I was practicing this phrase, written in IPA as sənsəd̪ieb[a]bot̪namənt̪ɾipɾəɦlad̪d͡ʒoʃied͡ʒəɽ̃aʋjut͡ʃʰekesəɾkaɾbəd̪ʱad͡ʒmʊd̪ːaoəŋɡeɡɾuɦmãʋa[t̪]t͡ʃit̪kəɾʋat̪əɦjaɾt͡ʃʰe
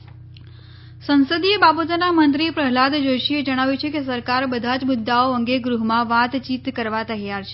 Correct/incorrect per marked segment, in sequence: correct, correct

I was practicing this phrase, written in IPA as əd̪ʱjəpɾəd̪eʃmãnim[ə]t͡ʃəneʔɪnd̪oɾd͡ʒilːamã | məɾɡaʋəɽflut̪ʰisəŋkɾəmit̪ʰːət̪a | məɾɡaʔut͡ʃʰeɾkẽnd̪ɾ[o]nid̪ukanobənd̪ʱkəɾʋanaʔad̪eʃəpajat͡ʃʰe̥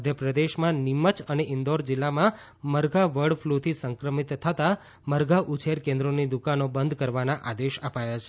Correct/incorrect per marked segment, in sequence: correct, correct

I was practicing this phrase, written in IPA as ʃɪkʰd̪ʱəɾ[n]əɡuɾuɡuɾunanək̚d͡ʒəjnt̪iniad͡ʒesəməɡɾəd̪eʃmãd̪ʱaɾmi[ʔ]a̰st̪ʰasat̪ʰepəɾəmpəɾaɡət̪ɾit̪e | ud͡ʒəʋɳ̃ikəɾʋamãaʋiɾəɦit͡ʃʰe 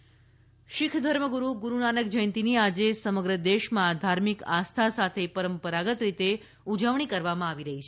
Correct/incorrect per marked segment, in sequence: incorrect: m, incorrect: k

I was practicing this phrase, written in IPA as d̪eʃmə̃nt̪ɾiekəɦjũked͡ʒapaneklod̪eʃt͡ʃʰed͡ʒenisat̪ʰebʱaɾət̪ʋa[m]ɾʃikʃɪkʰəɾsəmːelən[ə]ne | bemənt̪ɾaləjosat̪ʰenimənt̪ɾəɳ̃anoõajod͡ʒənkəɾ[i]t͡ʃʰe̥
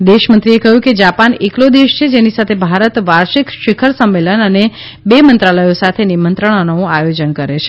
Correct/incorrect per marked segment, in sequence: incorrect: none, correct, incorrect: e

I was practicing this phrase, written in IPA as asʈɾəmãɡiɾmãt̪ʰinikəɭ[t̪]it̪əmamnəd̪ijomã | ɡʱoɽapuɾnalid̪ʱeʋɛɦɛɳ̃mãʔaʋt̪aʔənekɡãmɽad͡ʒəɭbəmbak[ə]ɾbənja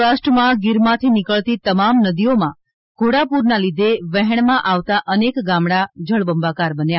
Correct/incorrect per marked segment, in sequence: correct, incorrect: a

